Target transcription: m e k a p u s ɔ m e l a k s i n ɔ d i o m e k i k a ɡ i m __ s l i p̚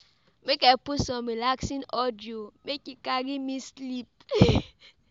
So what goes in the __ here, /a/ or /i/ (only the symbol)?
i